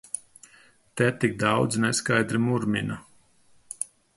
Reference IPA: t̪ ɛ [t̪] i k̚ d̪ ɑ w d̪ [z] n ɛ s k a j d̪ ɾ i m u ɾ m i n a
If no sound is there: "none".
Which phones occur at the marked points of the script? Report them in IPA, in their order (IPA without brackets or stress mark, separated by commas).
t̪, z